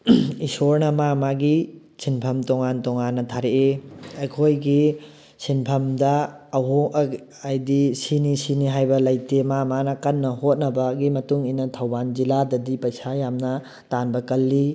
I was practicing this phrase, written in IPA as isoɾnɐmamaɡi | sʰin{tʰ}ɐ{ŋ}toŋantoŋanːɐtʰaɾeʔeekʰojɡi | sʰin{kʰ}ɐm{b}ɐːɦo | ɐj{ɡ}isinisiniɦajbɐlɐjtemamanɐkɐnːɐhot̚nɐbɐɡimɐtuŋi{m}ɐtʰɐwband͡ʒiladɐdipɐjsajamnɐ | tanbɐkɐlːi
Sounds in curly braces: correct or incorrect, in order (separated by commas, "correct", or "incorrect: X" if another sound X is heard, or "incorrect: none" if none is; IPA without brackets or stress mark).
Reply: incorrect: pʰ, incorrect: m, incorrect: pʰ, incorrect: d, incorrect: d, incorrect: n